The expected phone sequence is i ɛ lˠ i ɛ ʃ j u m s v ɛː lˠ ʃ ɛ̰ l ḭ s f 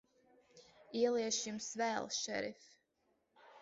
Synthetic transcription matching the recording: i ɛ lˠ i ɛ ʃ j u m s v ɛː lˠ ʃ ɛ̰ ɾ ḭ f